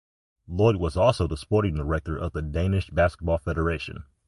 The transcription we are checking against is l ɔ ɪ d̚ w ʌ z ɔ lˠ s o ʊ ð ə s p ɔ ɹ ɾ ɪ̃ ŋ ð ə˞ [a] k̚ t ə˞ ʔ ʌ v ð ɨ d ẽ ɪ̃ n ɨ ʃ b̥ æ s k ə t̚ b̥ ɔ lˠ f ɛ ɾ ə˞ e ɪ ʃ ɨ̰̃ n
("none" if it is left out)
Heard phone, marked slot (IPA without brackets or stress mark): ɛ